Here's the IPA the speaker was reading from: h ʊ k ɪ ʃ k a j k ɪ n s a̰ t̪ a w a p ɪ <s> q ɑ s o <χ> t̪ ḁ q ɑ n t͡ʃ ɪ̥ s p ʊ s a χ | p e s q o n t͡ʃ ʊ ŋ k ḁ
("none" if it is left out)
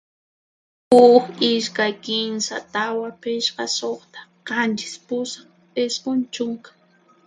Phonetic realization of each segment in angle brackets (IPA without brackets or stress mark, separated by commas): ʃ, χ